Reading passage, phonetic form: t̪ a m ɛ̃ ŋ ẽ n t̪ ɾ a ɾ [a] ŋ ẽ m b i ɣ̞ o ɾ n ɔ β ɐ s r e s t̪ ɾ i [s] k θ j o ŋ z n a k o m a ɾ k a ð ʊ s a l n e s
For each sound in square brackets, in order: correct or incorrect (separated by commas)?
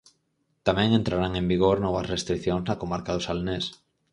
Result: correct, incorrect